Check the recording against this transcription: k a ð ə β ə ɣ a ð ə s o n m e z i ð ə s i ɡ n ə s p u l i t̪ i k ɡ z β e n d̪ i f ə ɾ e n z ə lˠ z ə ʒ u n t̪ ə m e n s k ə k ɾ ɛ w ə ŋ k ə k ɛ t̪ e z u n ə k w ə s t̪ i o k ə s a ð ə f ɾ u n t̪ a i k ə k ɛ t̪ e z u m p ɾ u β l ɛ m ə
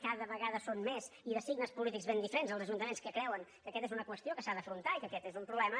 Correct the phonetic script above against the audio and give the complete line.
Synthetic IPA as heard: k a ð ə β ə ɣ a ð ə s o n m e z i ð ə s i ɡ n ə s p u l i t̪ i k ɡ z β e n d̪ i f ə ɾ e n z ə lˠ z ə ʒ u n t̪ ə m e n s k ə k ɾ ɛ w ə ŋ k ə k ɛ t̪ e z u n ə k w ə s t̪ i o k ə s a ð ə f ɾ u n t̪ a i k ə k ɛ t̪ e z u m p ɾ u β l ɛ m ə